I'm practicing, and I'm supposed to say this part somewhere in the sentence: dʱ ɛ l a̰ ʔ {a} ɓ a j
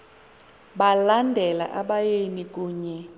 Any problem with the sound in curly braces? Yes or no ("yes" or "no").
no